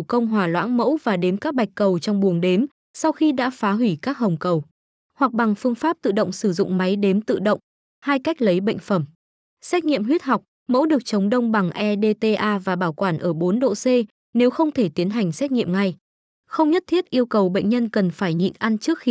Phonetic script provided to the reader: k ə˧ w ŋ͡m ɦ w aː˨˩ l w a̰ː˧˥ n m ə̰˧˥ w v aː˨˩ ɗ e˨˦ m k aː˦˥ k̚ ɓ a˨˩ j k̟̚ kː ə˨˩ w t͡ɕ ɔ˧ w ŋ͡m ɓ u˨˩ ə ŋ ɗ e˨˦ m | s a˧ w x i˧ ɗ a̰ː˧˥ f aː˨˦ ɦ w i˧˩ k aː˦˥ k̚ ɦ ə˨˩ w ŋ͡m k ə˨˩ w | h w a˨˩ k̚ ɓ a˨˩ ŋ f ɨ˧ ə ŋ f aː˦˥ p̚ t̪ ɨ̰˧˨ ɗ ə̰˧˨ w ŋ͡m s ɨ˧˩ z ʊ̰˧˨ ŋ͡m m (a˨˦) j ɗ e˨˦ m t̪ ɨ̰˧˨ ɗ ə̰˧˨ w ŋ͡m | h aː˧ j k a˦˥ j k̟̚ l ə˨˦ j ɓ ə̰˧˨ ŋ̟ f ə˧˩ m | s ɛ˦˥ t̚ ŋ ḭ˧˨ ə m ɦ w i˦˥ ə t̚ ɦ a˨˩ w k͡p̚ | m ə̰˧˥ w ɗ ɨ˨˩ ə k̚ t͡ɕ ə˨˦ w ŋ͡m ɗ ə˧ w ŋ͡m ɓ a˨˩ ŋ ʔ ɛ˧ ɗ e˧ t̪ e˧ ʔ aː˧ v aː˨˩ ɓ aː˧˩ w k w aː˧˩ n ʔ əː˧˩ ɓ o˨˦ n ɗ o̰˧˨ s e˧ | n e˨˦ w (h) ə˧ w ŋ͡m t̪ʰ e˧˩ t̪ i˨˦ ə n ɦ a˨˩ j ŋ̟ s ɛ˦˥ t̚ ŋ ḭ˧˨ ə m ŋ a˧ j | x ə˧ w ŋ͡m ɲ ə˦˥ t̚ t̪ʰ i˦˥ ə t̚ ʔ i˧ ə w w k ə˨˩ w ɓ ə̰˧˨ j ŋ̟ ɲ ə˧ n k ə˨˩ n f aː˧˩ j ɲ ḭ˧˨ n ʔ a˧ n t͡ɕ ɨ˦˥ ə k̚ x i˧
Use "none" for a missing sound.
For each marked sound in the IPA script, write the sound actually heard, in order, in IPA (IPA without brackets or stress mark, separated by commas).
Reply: a˨˦, x